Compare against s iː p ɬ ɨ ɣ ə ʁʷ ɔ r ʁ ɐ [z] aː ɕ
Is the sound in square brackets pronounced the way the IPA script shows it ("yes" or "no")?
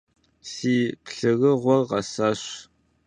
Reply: no